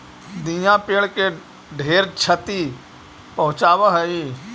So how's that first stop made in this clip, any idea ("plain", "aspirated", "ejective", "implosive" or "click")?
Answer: plain